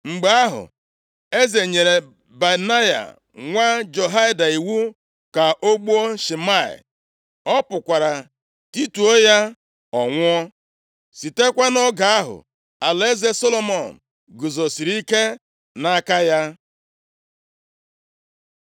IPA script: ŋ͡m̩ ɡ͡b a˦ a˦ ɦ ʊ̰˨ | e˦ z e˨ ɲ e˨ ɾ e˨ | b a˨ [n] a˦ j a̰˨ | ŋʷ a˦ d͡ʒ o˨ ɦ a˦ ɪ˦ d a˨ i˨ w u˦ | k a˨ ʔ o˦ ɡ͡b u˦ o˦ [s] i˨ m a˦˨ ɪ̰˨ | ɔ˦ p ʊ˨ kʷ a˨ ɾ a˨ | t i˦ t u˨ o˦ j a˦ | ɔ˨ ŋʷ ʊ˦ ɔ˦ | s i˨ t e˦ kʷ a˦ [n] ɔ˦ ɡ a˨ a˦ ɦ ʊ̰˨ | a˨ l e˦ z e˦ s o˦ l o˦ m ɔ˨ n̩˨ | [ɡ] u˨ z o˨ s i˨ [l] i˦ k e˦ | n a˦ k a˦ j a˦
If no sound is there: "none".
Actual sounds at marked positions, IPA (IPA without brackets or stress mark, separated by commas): n, ʃ, n, ɡ, ɾ